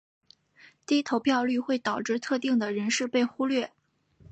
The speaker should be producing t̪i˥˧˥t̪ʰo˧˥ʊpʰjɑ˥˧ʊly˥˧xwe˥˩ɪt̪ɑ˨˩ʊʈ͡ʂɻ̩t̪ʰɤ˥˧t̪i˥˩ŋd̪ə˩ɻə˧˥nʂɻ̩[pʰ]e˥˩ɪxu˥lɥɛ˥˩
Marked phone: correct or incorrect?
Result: incorrect